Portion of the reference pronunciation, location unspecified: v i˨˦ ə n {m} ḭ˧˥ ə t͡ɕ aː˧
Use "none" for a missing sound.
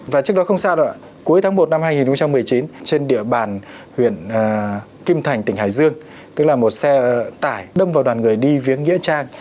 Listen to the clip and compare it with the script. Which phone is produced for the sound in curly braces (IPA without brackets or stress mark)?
ŋ